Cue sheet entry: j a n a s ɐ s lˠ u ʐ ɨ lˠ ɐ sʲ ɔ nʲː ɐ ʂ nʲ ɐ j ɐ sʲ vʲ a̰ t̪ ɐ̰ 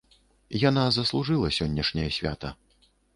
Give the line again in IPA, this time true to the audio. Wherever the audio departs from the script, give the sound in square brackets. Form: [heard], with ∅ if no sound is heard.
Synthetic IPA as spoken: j a n a [z] ɐ s lˠ u ʐ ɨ lˠ ɐ sʲ ɔ nʲː ɐ ʂ nʲ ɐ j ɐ sʲ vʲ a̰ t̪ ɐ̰